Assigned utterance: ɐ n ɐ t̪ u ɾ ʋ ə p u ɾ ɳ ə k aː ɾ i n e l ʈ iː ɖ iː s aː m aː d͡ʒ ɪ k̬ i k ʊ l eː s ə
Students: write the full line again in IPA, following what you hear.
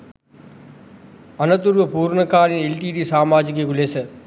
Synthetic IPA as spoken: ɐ n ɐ t̪ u ɾ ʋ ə p uː ɾ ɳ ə k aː ɾ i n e l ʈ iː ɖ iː s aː m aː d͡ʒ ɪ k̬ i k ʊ l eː s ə